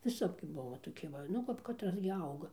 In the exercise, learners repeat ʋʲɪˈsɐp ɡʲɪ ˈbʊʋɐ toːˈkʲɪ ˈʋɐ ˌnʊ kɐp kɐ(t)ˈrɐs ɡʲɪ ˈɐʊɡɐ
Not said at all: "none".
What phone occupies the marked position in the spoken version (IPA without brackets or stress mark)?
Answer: t